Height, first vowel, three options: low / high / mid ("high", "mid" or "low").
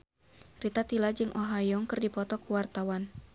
high